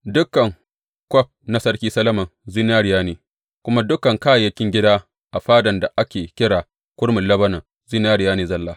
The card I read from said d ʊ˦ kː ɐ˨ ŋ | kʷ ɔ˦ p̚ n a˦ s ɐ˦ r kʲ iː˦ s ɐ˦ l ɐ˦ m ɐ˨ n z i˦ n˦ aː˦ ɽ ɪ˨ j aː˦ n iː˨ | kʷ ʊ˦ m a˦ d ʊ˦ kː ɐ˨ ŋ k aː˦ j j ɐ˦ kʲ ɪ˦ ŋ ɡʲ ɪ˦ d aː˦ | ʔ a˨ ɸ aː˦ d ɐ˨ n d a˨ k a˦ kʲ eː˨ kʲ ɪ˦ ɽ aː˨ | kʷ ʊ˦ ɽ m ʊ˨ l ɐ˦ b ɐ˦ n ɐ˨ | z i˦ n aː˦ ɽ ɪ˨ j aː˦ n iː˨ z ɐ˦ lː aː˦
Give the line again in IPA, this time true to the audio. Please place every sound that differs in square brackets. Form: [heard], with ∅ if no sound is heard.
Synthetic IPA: d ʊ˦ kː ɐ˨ ŋ | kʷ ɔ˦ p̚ n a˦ s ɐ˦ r kʲ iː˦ s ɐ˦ l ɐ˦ m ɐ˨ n z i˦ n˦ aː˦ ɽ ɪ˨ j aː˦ n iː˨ | kʷ ʊ˦ m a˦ d ʊ˦ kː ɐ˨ ŋ k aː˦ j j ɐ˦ kʲ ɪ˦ ŋ ɡʲ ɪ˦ d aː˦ | ʔ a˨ ɸ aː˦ d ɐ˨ n d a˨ [ʔ] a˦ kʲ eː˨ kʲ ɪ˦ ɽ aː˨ | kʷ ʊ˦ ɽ m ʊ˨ l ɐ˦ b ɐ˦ n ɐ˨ | z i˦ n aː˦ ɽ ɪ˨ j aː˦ n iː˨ z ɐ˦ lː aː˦